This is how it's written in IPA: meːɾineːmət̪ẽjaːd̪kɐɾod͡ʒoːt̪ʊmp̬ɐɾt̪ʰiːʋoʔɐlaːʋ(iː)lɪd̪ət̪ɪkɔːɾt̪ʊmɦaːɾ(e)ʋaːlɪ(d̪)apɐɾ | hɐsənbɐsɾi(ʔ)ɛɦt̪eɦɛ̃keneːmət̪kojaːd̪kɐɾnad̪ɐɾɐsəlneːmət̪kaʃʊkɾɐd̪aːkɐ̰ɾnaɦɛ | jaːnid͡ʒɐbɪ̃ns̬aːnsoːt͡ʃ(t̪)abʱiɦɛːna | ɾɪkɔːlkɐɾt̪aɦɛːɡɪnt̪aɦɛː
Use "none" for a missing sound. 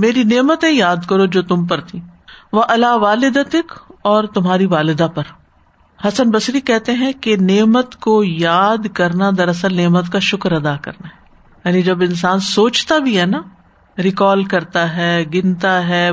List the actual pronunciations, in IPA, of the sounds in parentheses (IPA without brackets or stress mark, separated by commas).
aː, i, d̪, k, t̪